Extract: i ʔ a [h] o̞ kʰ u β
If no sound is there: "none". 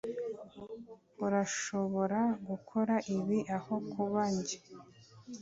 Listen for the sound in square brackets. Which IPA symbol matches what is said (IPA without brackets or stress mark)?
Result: h